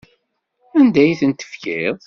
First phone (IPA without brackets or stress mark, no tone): æ